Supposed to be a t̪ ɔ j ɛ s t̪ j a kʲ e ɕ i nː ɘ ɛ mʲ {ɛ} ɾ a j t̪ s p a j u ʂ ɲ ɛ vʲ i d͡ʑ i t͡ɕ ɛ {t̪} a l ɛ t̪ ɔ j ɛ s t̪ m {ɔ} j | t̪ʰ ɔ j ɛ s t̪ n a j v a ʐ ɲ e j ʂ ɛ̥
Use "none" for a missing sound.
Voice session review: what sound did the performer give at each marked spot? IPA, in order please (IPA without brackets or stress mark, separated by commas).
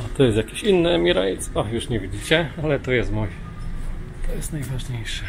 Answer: i, none, u